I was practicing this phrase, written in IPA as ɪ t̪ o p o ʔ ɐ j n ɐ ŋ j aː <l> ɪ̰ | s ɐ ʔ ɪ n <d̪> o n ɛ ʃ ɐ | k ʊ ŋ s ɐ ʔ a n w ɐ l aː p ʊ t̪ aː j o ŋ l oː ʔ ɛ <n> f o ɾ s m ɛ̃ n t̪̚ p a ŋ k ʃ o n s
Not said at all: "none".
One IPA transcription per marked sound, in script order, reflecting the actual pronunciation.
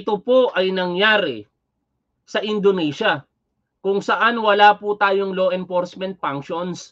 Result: ɾ, d̪, n

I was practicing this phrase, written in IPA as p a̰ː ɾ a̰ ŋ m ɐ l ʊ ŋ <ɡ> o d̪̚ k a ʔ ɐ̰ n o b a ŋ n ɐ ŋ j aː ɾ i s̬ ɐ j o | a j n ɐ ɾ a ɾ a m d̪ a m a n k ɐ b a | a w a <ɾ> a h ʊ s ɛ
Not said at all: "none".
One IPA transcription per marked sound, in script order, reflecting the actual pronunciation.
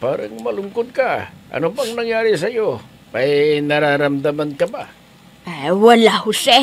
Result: k, l

